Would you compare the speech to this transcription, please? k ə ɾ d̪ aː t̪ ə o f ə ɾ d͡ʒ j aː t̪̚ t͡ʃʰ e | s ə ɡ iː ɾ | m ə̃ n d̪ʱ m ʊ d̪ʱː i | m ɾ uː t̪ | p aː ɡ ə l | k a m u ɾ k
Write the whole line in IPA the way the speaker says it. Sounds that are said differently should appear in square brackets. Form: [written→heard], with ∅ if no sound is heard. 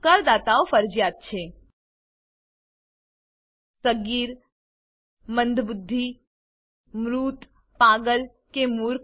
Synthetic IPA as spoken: k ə ɾ d̪ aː t̪ [ə→a] o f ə ɾ d͡ʒ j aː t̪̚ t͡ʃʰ e | s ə ɡ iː ɾ | m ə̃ n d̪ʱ [m→b] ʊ d̪ʱː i | m ɾ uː t̪ | p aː ɡ ə l | k [a→e] m u ɾ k